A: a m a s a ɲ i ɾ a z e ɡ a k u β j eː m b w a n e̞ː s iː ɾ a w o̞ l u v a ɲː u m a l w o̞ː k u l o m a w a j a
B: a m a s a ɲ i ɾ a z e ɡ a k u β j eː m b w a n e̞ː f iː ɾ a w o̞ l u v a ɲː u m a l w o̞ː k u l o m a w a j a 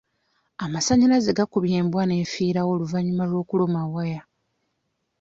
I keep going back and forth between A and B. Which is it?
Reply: B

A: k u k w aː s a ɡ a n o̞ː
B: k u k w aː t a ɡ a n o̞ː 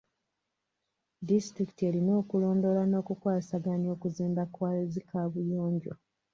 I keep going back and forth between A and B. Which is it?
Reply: A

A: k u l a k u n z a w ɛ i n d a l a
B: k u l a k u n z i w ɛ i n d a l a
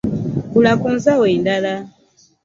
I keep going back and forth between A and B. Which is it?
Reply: A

